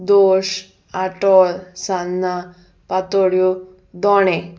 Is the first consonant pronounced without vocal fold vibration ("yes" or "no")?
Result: no